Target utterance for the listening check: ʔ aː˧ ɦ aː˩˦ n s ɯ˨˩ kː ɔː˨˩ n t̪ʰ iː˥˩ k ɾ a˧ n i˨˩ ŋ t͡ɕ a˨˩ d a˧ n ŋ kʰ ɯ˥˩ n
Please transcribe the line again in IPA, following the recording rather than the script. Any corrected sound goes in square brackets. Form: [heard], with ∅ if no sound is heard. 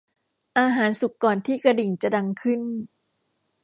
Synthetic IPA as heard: ʔ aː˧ ɦ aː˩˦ n s [u˨˩] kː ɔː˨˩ n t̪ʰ iː˥˩ k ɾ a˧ [d] i˨˩ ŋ t͡ɕ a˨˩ d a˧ [∅] ŋ kʰ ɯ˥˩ n